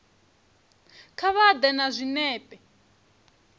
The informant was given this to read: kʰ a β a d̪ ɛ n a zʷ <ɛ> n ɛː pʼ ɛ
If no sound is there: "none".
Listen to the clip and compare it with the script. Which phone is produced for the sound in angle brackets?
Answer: i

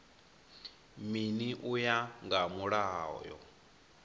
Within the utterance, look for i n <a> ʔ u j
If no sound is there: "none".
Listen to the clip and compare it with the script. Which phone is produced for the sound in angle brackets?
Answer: i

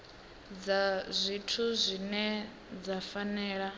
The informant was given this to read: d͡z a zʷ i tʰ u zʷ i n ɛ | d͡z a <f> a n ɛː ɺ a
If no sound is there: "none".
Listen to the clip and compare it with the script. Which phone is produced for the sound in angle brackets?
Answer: f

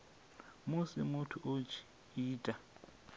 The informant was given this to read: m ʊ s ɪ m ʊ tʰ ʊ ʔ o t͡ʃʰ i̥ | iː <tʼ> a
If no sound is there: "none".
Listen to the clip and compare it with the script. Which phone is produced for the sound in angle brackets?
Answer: tʼ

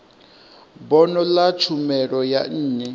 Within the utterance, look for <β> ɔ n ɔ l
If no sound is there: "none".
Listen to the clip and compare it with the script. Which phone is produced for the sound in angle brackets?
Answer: b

